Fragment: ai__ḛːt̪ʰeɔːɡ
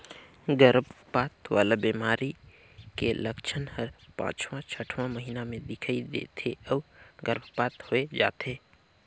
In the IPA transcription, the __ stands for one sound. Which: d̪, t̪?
d̪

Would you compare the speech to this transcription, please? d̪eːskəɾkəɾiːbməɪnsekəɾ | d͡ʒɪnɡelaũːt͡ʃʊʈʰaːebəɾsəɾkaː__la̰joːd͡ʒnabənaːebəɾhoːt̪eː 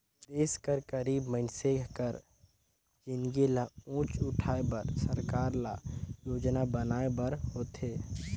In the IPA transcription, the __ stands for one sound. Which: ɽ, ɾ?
ɾ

